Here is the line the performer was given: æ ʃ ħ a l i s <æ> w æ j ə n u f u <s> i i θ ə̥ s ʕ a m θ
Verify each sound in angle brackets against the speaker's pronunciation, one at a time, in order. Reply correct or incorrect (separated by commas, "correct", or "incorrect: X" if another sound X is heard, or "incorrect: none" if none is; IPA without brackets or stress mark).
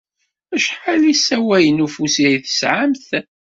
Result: correct, correct